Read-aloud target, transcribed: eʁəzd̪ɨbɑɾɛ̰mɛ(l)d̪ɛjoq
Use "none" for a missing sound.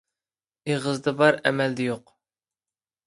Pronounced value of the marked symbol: l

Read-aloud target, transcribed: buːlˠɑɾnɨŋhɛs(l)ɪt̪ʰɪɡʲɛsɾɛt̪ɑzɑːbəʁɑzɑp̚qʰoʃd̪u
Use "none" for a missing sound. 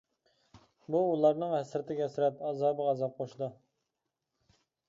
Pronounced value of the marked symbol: ɾ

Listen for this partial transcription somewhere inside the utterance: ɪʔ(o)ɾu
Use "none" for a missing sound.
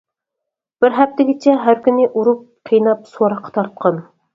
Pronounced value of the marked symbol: u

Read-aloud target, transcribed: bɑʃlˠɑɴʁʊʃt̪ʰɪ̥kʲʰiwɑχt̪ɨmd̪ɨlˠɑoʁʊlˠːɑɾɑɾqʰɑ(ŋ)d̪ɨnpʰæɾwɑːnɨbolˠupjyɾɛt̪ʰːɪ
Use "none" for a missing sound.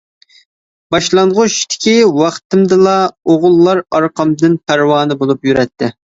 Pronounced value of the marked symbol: m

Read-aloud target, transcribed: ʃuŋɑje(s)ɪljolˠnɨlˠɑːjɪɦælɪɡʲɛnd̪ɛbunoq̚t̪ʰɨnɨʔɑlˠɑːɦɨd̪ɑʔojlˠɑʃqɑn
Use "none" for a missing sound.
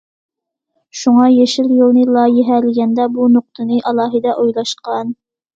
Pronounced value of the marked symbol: ʃ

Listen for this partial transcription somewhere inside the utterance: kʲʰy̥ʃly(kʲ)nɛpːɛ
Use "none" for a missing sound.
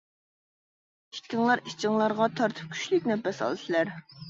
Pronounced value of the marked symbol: kʲ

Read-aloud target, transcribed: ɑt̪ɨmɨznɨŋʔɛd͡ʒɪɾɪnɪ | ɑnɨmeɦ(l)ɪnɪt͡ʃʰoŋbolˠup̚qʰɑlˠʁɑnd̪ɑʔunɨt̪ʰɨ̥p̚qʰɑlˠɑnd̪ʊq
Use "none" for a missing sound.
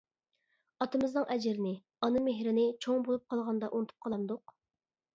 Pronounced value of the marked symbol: ɾ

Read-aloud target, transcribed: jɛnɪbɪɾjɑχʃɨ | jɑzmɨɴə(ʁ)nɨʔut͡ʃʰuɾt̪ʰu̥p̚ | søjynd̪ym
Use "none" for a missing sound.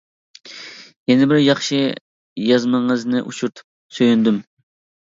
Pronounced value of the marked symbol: z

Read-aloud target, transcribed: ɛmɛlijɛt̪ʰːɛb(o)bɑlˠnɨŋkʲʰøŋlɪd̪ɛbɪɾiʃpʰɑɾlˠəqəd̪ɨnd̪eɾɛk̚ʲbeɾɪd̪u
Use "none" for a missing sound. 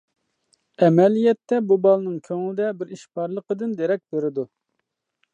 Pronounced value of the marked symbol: u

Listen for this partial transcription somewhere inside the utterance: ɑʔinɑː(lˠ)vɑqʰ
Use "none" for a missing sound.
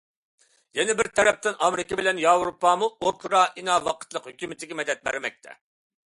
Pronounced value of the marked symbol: none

